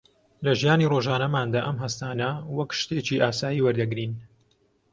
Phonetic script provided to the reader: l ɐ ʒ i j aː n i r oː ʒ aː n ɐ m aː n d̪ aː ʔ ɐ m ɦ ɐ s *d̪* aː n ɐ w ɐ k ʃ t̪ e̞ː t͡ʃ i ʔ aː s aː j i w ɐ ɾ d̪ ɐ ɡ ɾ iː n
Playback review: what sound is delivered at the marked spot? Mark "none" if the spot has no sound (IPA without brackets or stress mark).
t̪